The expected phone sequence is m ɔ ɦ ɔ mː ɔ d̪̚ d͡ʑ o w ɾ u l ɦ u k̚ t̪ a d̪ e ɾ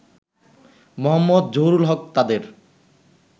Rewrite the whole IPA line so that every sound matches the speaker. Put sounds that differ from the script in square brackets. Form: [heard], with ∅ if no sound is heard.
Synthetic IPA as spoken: m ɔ ɦ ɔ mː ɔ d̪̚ d͡ʑ o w ɾ u l ɦ [ɔ] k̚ t̪ a d̪ e ɾ